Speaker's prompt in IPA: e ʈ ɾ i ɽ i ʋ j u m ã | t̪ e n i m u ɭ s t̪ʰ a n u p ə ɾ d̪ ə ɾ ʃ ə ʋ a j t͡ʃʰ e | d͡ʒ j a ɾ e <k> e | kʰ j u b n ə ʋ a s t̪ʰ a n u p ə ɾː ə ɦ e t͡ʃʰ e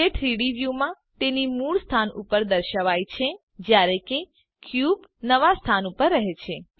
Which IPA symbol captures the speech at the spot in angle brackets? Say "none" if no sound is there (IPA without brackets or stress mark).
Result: k